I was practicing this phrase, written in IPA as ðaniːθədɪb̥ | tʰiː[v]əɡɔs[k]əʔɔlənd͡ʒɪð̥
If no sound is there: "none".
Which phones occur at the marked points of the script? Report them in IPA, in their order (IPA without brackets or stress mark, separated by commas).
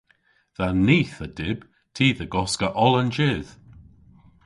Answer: ð, k